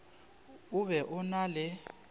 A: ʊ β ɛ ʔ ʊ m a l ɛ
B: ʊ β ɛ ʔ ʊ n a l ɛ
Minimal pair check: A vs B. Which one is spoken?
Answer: B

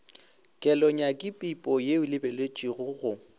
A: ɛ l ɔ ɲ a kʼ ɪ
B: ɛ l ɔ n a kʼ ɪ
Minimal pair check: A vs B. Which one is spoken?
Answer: A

